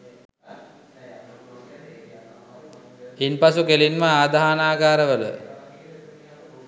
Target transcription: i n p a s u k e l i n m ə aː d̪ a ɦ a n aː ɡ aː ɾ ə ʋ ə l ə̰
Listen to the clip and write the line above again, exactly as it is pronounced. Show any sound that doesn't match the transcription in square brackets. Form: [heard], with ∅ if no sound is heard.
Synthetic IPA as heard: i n p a s u k e l i n m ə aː d̪ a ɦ a n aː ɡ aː ɾ ə ʋ ə l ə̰